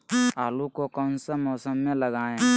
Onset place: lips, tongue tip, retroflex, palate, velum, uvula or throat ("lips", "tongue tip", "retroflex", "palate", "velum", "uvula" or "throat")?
tongue tip